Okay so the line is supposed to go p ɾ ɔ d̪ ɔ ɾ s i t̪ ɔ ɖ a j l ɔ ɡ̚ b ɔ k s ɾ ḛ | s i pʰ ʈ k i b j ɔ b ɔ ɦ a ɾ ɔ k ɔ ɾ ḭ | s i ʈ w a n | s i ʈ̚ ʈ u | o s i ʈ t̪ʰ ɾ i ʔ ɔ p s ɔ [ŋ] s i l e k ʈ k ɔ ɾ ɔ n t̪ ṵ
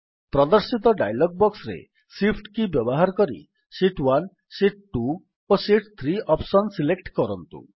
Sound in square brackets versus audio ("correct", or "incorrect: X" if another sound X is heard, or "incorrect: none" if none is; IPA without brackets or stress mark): incorrect: n